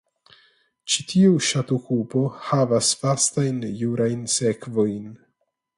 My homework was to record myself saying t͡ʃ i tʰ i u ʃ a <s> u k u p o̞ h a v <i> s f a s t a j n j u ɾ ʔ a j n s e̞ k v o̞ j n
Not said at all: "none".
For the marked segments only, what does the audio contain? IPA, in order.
t, a

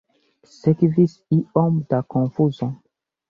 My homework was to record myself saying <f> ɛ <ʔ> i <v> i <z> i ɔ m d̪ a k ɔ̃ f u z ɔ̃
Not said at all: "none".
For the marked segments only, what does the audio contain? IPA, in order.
s, k, v, s

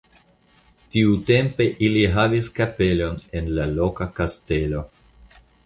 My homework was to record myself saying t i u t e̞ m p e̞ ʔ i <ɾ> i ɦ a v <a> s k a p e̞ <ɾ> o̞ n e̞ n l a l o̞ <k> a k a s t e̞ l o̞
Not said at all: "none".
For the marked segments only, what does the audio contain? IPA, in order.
l, i, l, k

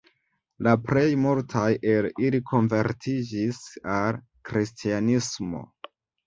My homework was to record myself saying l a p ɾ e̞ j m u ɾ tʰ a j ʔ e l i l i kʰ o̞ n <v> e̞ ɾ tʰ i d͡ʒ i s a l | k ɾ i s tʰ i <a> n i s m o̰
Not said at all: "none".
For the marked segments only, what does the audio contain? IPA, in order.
v, a

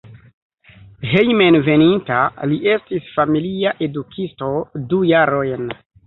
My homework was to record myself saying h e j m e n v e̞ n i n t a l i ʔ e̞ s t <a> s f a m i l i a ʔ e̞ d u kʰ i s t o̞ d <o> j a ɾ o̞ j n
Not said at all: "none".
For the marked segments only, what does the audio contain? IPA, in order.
i, u

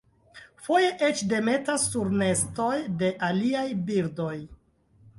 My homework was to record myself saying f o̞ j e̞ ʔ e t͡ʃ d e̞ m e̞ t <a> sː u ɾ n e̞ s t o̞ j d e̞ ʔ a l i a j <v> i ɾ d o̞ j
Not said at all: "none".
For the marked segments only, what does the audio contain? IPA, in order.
a, b

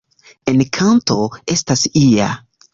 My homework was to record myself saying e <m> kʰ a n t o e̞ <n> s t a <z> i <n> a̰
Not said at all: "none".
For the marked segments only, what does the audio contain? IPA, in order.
n, none, s, none

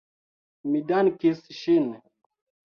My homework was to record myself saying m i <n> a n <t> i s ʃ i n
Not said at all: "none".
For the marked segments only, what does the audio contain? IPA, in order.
d, k

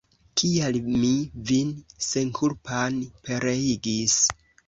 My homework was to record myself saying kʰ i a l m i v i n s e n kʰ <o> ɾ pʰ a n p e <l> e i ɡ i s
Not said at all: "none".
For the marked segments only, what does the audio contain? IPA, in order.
u, ɾ

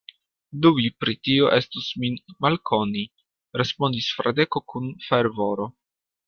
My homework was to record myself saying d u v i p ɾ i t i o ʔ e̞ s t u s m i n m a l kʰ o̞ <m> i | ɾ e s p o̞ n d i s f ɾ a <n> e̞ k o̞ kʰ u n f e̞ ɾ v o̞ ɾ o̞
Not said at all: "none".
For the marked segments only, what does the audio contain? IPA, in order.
n, d

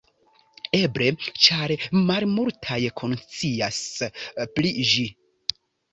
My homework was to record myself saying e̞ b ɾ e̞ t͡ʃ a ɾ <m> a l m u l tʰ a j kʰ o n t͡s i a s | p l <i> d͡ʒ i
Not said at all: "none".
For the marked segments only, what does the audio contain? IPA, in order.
m, i

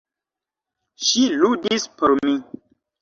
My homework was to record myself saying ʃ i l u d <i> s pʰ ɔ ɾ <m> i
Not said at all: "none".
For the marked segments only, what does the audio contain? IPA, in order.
i, m

